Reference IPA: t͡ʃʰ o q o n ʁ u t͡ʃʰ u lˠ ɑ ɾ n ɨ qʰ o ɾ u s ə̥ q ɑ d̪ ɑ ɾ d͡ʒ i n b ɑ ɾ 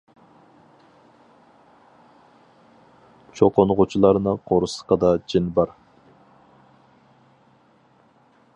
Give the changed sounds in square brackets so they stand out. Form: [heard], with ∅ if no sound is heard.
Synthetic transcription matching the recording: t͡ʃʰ o q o n ʁ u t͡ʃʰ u lˠ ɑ ɾ n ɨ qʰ o ɾ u s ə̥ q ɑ d̪ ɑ [∅] d͡ʒ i n b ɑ ɾ